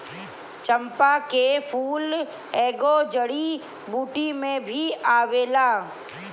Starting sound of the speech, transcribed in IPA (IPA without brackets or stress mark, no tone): t͡ʃ